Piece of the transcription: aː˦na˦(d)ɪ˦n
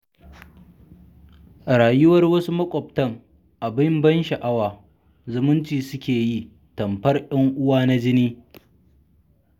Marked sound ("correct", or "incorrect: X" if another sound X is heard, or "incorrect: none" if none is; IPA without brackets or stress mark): incorrect: d͡ʒ